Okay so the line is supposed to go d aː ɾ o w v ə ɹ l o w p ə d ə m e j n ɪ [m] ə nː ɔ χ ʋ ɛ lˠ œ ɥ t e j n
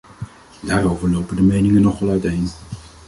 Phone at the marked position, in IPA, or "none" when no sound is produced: ŋ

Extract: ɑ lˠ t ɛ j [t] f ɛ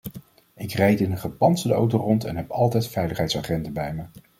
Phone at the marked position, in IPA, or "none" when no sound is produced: t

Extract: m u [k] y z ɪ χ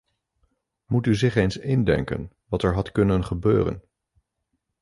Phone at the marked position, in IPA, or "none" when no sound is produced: t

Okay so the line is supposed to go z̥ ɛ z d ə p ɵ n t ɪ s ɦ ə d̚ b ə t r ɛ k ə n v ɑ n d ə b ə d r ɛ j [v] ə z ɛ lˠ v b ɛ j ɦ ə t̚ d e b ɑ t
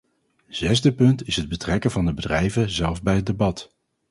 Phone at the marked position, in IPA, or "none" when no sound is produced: v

